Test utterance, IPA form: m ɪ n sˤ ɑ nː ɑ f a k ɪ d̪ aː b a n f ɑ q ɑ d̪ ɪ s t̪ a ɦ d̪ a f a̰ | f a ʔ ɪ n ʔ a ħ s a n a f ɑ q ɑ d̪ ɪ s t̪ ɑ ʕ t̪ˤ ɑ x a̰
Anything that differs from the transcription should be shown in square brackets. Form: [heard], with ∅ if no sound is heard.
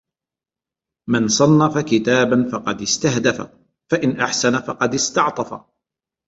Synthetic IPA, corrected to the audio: m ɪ n sˤ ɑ nː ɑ f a k ɪ [t̪] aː b a n f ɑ q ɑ d̪ ɪ s t̪ a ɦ d̪ a f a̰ | f a ʔ ɪ n ʔ a ħ s a n a f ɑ q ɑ d̪ ɪ s t̪ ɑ ʕ t̪ˤ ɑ [f] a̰